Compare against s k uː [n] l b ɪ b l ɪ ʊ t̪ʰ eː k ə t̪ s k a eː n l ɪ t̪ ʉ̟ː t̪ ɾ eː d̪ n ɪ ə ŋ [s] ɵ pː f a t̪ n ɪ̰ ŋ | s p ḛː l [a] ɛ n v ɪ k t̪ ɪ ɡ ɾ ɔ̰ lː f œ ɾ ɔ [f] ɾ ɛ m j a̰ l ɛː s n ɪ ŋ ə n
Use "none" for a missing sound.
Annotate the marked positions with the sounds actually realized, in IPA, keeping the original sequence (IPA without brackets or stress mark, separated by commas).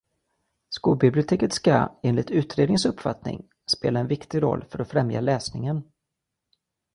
none, s, a, f